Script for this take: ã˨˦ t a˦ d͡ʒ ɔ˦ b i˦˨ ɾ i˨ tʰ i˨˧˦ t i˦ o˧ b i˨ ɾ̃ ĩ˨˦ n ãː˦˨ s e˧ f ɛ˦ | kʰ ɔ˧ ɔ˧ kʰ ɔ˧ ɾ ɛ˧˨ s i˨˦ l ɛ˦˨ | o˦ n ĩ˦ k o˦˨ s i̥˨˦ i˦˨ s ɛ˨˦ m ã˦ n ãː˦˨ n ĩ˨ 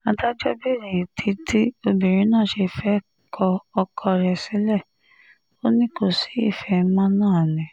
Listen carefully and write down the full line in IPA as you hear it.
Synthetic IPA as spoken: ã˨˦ t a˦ d͡ʒ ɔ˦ b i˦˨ ɾ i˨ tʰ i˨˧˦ t i˦ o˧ b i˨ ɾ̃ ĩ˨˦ n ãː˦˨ ʃ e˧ f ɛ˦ | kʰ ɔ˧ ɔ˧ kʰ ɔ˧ ɾ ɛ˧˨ s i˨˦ l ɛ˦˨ | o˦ n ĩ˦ k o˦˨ s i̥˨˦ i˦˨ f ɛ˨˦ m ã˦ n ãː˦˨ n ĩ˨